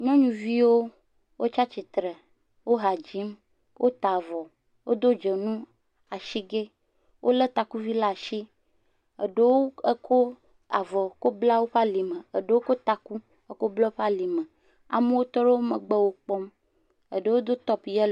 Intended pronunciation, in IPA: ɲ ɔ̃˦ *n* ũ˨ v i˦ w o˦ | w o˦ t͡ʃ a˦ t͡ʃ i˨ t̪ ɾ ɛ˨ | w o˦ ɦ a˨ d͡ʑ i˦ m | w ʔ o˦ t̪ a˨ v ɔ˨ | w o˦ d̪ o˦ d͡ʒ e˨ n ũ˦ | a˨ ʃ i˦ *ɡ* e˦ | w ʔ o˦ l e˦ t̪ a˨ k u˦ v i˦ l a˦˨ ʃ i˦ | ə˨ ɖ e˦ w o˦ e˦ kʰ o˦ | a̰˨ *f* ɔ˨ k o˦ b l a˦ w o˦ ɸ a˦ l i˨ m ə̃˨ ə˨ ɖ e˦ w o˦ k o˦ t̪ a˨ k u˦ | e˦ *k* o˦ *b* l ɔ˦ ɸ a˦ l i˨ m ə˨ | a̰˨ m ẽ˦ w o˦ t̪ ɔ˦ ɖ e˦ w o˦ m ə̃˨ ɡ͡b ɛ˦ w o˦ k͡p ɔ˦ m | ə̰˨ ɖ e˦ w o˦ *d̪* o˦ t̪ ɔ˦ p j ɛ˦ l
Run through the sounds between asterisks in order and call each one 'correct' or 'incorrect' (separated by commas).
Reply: incorrect, correct, incorrect, correct, correct, correct